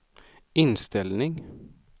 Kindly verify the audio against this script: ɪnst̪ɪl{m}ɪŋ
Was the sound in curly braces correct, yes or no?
no